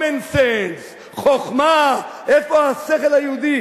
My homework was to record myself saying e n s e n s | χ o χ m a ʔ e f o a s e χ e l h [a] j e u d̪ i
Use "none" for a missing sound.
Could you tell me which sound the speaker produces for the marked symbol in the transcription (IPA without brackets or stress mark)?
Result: a